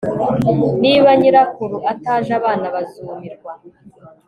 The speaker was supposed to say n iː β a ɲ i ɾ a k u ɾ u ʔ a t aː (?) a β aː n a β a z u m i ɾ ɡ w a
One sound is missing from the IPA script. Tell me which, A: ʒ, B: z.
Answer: A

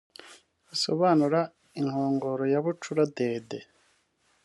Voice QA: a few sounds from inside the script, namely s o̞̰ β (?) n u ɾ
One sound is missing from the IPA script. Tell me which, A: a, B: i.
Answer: A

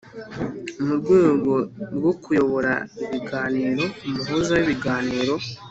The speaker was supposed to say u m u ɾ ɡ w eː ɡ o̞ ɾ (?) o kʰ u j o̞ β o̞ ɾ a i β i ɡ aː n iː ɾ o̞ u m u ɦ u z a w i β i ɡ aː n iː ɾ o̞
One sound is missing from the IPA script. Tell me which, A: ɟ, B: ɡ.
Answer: B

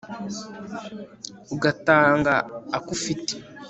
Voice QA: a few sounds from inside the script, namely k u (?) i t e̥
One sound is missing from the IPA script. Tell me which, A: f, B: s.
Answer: A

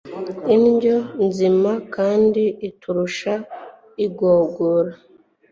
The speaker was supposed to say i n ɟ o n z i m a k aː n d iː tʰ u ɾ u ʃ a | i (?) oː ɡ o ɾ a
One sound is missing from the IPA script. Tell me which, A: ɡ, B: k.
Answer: A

